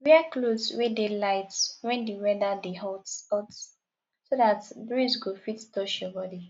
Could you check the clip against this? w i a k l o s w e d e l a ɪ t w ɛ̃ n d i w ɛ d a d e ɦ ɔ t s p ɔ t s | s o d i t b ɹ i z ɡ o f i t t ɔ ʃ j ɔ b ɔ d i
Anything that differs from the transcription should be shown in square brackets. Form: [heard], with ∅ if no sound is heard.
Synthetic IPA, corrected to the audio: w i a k l o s w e d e l a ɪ t w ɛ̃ n d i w ɛ d a d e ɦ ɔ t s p ɔ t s | s o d [a] t b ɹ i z ɡ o f i t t ɔ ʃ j ɔ b ɔ d i